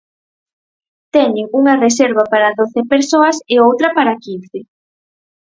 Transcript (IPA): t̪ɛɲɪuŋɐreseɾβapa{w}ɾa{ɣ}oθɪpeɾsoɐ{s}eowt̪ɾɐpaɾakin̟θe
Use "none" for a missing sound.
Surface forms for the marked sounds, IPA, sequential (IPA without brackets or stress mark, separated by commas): none, ð, s